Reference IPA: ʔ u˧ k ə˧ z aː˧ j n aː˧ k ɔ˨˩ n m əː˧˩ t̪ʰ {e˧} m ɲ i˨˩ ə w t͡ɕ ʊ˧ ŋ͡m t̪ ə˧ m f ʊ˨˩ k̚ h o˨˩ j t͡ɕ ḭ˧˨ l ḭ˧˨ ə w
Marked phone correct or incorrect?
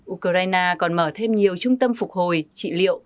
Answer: correct